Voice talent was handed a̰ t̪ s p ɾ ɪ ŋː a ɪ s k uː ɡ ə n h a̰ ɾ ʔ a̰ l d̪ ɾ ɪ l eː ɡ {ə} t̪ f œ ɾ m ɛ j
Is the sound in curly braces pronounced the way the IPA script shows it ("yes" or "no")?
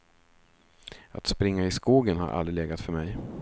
no